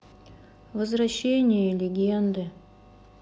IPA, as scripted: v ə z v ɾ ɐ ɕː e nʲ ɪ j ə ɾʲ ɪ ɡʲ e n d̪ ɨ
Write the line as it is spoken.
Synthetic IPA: v ə z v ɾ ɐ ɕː e nʲ ɪ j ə lʲ ɪ ɡʲ e n d̪ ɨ